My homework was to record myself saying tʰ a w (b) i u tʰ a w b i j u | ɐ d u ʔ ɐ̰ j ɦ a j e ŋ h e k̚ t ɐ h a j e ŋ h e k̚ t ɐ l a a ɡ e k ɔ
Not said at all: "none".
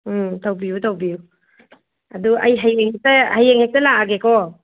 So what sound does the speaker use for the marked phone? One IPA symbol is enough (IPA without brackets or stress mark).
b